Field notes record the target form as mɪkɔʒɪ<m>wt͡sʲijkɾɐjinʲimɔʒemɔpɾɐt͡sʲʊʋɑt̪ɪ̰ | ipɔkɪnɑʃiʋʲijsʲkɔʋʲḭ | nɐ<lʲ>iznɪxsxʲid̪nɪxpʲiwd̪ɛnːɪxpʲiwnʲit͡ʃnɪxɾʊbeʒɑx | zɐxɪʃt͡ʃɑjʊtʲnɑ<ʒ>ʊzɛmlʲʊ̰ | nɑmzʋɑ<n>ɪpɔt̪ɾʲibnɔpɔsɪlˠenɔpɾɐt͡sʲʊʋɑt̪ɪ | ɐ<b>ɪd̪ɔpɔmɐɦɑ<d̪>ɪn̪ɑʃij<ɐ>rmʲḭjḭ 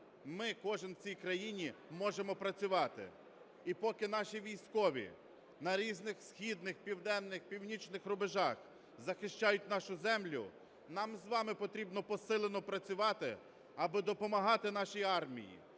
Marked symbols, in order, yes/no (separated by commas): no, no, no, no, yes, no, no